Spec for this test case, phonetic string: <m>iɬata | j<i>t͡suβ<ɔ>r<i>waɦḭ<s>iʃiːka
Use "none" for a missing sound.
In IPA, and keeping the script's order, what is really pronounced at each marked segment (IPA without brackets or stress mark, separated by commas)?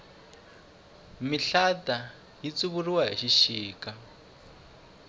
m, i, u, i, ʃ